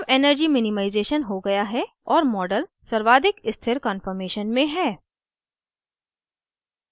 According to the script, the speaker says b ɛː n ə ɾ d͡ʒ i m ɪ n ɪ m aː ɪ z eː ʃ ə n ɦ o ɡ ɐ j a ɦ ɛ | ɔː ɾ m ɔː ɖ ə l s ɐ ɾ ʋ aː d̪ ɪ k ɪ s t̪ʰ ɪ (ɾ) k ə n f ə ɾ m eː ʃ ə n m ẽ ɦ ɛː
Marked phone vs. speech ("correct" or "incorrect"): correct